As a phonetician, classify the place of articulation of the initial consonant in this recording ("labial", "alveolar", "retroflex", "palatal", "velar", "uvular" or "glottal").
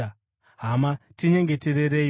glottal